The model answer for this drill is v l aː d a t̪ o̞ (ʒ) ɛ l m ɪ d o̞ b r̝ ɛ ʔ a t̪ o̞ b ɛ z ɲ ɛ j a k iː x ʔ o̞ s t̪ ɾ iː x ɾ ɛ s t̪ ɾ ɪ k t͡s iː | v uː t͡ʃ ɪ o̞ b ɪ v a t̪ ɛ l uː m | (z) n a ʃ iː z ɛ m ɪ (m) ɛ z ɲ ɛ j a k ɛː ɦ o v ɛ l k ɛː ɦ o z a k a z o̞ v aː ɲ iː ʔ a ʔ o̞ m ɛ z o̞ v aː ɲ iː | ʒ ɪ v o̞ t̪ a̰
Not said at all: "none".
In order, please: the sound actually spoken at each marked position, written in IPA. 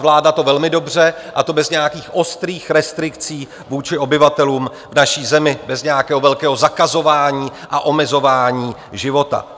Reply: v, v, b

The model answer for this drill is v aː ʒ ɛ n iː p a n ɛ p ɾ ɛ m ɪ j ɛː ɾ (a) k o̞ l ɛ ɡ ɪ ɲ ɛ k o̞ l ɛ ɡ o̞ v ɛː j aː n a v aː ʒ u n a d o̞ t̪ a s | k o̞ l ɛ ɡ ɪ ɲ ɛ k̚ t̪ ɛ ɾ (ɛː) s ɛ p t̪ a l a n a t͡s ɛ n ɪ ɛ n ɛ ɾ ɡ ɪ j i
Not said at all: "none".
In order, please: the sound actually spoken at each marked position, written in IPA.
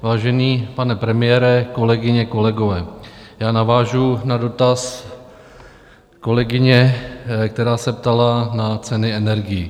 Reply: ɛ, aː

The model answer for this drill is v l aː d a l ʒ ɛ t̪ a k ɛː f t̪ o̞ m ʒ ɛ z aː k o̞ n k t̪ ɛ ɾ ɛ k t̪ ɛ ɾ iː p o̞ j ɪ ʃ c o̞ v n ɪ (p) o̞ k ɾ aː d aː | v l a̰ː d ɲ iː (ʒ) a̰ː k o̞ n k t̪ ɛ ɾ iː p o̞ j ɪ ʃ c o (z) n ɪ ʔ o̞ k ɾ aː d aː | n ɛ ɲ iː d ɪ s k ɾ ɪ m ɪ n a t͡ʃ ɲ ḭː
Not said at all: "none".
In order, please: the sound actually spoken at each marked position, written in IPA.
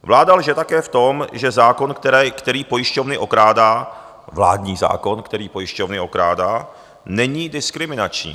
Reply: ʔ, z, v

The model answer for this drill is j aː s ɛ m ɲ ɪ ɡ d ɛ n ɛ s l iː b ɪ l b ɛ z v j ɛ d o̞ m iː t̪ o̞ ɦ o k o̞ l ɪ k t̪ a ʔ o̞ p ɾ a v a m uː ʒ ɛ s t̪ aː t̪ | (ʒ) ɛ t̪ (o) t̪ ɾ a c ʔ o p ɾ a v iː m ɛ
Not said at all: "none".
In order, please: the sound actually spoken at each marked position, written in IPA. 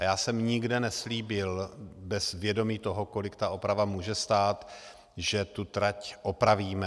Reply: ʒ, u

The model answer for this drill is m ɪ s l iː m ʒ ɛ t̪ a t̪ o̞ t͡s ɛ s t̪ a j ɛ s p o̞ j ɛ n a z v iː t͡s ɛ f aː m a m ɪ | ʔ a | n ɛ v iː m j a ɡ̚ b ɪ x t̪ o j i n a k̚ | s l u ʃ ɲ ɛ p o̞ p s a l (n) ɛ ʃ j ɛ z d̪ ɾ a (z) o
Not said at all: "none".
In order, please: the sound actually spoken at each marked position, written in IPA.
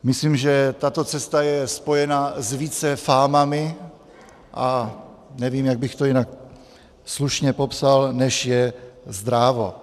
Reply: n, v

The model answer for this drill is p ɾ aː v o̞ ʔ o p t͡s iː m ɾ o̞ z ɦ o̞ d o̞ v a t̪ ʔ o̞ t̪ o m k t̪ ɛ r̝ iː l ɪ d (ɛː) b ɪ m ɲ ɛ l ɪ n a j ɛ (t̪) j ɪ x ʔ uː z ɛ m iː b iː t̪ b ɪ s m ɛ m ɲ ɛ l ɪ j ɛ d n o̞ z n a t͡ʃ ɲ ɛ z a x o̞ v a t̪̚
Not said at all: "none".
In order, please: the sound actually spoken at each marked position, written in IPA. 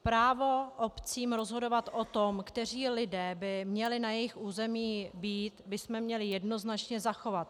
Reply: ɛː, none

